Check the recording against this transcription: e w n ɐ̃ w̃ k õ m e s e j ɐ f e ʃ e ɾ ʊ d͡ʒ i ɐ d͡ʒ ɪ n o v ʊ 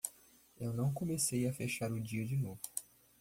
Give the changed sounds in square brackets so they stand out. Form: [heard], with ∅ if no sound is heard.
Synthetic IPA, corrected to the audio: e w n ɐ̃ w̃ k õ m e s e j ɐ f e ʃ [a] ɾ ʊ d͡ʒ i ɐ d͡ʒ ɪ n o v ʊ